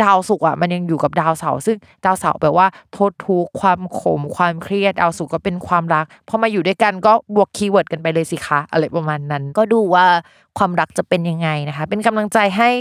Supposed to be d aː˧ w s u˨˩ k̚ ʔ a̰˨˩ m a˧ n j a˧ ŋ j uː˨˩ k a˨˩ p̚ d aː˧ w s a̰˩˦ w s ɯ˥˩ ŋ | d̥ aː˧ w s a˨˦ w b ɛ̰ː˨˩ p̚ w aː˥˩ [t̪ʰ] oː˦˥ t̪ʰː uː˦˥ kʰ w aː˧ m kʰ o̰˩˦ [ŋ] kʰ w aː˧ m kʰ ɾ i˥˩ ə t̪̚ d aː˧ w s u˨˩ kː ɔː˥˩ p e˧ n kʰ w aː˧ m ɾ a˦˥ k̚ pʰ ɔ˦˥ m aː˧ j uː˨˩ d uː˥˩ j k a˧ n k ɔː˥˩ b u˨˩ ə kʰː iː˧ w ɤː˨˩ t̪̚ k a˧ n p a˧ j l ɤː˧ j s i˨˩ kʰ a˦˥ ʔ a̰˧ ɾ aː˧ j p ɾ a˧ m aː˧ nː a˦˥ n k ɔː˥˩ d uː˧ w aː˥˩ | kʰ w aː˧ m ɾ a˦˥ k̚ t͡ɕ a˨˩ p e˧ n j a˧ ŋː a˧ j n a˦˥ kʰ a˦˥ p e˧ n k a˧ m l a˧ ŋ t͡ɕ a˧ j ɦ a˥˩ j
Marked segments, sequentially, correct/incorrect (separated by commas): correct, incorrect